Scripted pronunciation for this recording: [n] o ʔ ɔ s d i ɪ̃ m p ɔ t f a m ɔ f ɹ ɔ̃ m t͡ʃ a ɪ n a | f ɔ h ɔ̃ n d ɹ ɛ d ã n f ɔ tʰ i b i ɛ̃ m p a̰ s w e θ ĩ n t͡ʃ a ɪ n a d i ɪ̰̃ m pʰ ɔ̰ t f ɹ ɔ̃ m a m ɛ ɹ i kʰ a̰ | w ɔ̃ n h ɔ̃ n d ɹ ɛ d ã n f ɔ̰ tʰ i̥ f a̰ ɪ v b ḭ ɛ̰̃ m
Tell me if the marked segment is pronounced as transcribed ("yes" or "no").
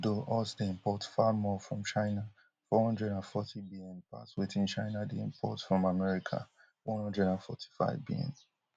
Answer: no